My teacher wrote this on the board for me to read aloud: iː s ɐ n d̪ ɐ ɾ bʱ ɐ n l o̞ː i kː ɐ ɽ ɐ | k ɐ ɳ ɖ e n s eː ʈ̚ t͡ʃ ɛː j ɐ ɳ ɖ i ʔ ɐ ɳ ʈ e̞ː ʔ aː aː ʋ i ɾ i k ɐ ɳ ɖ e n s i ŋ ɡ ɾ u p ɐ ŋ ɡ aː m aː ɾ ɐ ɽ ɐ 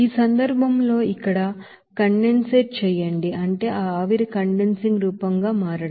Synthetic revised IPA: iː s ɐ n d̪ ɐ ɾ bʱ ɐ m l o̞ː i kː ɐ ɽ ɐ | k ɐ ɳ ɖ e n s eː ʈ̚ t͡ʃ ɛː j ɐ ɳ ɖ i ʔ ɐ ɳ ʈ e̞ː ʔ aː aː ʋ i ɾ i k ɐ ɳ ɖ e n s i ŋ ɡ ɾ uː p ɐ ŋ ɡ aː m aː ɾ ɐ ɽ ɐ